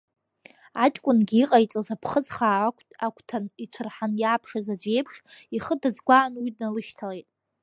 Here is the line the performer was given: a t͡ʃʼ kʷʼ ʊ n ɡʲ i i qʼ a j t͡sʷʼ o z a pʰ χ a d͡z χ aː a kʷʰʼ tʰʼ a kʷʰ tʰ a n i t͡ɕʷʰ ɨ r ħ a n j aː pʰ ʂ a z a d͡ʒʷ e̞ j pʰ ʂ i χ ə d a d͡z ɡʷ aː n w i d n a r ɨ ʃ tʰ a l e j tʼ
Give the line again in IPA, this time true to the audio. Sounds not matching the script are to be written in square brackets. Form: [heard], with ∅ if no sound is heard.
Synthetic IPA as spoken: a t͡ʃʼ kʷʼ ʊ n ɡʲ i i qʼ a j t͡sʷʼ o z a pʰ χ [ə] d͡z χ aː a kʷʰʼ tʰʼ a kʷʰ tʰ a n i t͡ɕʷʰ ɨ r ħ a n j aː pʰ ʂ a z a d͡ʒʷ e̞ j pʰ ʂ i χ ə d a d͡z ɡʷ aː n w i d n a [l] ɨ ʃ tʰ a l e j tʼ